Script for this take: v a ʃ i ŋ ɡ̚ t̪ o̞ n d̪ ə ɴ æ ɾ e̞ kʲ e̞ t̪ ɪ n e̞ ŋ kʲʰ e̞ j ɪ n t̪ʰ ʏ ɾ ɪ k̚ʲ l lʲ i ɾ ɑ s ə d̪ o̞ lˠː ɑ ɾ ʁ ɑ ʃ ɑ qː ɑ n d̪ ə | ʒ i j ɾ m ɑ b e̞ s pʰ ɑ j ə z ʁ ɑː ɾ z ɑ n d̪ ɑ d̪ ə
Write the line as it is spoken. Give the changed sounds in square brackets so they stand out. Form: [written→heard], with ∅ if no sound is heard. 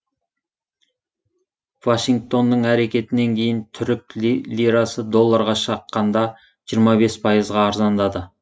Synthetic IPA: v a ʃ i ŋ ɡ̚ t̪ o̞ n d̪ ə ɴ æ ɾ e̞ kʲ e̞ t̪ ɪ n e̞ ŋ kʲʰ e̞ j ɪ n t̪ʰ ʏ ɾ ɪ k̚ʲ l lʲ i ɾ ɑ s ə d̪ o̞ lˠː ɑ ɾ ʁ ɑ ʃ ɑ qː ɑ n d̪ [ə→ɑ] | ʒ i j ɾ m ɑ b e̞ s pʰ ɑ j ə z ʁ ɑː ɾ z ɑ n d̪ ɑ d̪ ə